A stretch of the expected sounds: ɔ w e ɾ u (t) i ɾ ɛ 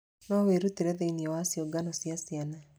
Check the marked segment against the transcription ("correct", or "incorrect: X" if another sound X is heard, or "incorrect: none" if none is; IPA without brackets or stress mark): correct